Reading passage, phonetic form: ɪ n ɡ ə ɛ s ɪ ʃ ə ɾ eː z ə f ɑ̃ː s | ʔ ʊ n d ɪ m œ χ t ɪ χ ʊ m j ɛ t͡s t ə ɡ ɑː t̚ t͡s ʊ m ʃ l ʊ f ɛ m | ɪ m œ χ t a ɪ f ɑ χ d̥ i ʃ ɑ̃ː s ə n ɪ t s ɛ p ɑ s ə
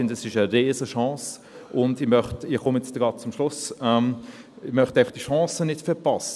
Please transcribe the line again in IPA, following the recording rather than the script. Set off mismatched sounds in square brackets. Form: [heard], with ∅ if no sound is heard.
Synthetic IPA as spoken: ɪ n [d] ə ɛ s ɪ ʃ ə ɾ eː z ə [ʃ] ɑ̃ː s | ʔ ʊ n d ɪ m œ χ t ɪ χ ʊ m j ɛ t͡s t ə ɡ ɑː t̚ t͡s ʊ m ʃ l ʊ [s] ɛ m | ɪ m œ χ t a ɪ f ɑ χ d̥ i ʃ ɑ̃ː s ə n ɪ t [f] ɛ p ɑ s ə